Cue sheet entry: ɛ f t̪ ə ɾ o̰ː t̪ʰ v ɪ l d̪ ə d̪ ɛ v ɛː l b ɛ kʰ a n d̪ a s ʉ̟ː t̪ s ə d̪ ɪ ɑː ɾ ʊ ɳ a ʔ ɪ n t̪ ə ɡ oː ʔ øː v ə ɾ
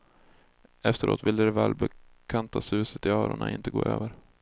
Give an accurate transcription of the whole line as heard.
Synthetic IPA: ɛ f t̪ ə ɾ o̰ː t̪ v ɪ l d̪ ə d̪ ɛ v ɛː l b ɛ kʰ a n t̪ a s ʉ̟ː s ə t̪ ɪ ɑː ɾ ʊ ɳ a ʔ ɪ n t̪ ə ɡ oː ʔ øː v ə ɾ